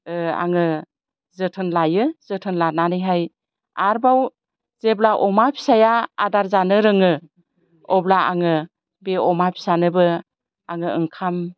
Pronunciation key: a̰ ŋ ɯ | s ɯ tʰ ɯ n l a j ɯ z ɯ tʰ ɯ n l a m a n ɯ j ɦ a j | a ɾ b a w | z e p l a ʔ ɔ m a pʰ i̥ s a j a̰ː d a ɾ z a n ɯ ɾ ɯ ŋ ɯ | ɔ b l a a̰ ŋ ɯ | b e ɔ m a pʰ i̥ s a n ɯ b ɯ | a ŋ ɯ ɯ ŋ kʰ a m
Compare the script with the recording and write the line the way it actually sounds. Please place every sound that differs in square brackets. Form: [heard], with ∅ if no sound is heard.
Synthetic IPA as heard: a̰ ŋ ɯ | [z] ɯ tʰ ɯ n l a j ɯ z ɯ tʰ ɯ n l a [n] a n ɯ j ɦ a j | a ɾ b a w | z e [b] l a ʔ ɔ m a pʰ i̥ s a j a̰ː d a ɾ z a n ɯ ɾ ɯ ŋ ɯ | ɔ b l a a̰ ŋ ɯ | b e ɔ m a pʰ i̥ s a n ɯ b ɯ | a ŋ ɯ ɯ ŋ kʰ a m